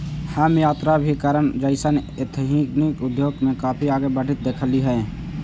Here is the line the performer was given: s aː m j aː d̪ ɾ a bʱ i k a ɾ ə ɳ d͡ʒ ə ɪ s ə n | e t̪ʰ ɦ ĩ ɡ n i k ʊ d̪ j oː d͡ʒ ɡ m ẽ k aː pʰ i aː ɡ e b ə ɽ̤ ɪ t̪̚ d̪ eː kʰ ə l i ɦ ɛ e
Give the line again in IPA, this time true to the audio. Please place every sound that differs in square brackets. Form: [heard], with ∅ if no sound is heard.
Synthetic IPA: [h] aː m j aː [t̪] ɾ a bʱ i k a ɾ ə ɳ d͡ʒ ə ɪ s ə n | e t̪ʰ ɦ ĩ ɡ n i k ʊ d̪ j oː [∅] ɡ m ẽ k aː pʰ i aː ɡ e b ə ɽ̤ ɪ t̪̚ d̪ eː kʰ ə l i ɦ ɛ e